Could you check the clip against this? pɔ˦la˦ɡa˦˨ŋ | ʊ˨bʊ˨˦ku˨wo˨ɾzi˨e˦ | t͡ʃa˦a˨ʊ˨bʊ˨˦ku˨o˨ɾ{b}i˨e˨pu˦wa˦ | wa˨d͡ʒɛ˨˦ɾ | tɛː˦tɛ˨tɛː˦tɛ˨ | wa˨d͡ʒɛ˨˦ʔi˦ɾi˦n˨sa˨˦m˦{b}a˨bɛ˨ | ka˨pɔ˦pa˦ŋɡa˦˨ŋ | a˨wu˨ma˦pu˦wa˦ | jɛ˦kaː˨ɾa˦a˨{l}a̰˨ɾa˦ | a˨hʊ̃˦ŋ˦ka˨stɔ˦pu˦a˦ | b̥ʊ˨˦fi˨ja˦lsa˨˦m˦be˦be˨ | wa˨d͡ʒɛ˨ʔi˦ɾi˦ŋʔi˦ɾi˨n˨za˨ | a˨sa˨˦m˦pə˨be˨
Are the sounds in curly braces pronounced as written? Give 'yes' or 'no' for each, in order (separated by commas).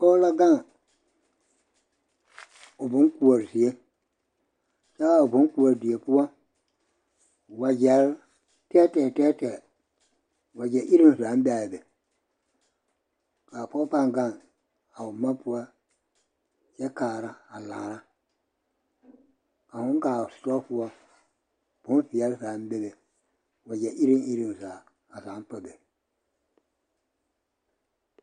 no, yes, yes